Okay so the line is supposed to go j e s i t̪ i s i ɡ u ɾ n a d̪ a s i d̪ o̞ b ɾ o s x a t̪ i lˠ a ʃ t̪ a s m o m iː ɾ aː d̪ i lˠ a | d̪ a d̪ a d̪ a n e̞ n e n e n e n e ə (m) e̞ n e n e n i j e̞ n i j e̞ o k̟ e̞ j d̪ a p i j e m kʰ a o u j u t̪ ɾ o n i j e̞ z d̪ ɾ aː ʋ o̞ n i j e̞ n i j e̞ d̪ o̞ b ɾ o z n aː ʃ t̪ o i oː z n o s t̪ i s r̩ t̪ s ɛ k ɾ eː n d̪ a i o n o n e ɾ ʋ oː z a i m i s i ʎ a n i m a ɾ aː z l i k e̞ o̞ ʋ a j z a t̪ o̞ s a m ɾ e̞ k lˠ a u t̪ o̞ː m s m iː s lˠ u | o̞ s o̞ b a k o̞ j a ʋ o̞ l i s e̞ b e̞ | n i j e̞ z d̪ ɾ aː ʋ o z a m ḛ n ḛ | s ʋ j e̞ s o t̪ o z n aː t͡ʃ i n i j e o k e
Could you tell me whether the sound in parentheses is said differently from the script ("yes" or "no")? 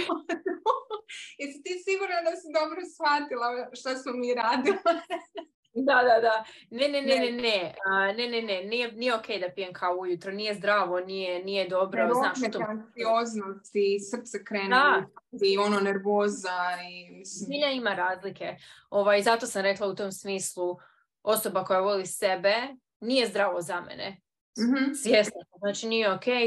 yes